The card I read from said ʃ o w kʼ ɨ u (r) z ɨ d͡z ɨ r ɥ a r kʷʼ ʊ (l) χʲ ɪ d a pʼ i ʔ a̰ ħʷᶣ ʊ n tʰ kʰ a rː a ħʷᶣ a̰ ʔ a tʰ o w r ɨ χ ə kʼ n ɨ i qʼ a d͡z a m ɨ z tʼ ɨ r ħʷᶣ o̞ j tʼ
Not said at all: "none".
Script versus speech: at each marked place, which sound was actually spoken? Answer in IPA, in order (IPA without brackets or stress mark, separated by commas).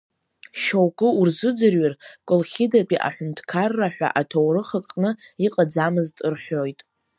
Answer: r, l